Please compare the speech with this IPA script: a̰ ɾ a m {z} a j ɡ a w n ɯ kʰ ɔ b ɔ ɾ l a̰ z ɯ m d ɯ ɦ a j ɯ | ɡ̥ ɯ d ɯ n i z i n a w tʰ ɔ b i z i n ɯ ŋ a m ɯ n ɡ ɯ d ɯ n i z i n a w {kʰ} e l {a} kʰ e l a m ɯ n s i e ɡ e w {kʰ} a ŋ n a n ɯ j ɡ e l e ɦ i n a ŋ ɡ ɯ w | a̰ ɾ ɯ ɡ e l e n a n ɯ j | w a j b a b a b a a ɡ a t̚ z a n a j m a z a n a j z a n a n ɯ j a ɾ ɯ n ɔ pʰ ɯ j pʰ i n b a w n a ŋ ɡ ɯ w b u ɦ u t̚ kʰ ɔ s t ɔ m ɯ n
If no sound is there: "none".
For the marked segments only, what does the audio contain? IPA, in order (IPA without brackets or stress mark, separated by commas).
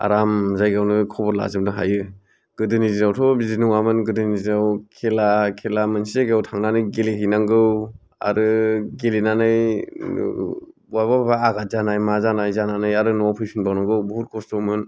z, kʰ, a, tʰ